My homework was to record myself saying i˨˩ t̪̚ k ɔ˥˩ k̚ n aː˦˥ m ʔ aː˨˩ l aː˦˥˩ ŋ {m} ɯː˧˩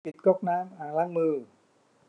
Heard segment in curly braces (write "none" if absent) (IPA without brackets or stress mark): m